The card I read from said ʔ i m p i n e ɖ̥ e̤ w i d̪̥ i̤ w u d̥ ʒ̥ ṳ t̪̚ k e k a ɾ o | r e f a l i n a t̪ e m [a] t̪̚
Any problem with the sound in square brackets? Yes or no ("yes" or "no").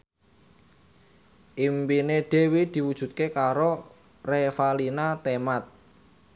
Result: no